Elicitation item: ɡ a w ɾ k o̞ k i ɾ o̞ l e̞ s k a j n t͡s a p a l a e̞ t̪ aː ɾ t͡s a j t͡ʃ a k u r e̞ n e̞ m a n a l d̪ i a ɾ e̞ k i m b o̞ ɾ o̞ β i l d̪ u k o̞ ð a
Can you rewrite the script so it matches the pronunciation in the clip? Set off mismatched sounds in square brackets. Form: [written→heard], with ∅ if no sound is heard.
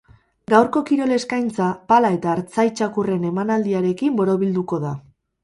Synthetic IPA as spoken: ɡ a w ɾ k o̞ k i ɾ o̞ l e̞ s k a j n t͡s a p a l a e̞ t̪ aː ɾ t͡s a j t͡ʃ a k u r e̞ n e̞ m a n a l d̪ i a ɾ e̞ k i m b o̞ ɾ o̞ β i l d̪ u k o̞ ð a